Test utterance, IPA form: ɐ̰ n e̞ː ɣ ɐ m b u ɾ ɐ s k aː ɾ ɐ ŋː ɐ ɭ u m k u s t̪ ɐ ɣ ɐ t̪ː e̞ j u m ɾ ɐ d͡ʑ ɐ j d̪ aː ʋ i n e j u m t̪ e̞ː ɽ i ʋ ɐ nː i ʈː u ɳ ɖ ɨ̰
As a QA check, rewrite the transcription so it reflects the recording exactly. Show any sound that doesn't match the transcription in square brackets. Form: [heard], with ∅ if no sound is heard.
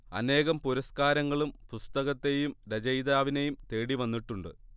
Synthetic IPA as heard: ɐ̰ n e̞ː ɣ ɐ m [p] u ɾ ɐ s k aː ɾ ɐ ŋː ɐ ɭ u m [p] u s t̪ ɐ ɣ ɐ t̪ː e̞ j u m ɾ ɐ d͡ʑ ɐ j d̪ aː ʋ i n e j u m t̪ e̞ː ɽ i ʋ ɐ nː i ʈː u ɳ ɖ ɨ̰